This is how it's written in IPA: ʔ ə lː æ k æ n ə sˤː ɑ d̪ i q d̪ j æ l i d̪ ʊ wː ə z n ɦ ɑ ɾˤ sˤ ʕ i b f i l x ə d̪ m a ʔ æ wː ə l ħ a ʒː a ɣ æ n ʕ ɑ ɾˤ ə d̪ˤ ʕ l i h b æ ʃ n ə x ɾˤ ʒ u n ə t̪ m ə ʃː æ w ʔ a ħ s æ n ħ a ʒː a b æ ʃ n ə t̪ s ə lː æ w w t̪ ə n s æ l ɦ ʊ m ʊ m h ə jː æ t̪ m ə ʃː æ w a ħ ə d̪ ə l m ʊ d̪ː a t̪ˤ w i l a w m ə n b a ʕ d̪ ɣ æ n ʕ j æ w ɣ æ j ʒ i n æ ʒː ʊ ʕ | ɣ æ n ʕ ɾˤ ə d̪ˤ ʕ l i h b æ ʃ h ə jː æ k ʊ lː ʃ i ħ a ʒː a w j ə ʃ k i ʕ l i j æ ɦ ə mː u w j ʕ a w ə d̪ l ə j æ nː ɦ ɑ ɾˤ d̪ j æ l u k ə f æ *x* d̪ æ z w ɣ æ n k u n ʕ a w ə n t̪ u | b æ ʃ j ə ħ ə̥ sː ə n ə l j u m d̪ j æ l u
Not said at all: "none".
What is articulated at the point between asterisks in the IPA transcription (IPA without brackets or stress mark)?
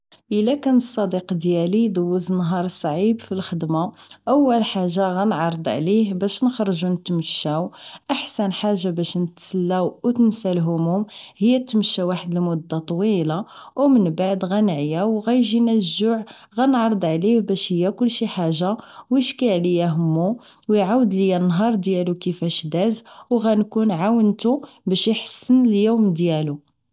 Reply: ʃ